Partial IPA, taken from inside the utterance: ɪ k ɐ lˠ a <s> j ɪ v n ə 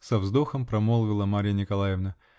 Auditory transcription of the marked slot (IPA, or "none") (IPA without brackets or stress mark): none